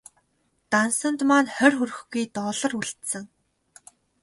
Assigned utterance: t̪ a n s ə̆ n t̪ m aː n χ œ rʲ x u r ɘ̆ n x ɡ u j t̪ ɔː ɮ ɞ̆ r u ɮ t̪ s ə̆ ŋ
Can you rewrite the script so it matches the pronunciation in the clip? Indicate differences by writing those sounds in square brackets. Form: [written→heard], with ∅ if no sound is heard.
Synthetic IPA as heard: t̪ a n s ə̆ n t̪ m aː n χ œ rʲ x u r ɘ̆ [n→∅] x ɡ u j t̪ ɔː ɮ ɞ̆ r u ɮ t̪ s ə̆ ŋ